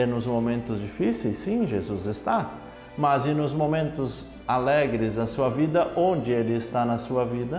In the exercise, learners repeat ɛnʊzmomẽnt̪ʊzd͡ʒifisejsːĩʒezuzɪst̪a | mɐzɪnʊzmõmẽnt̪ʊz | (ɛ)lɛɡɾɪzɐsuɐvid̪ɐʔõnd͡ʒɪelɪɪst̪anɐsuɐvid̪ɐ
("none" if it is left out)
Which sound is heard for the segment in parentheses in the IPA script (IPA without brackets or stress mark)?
a